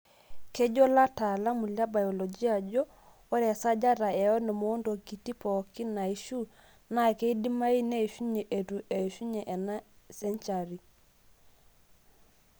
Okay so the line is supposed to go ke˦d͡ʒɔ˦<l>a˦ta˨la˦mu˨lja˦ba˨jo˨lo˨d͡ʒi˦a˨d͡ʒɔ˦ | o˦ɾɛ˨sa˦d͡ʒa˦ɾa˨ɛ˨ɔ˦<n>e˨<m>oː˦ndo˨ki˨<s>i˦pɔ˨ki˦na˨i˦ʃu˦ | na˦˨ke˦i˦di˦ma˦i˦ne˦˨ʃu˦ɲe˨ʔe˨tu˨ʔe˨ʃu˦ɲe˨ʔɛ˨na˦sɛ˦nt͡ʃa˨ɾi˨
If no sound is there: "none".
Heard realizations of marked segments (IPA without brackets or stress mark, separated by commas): l, n, m, t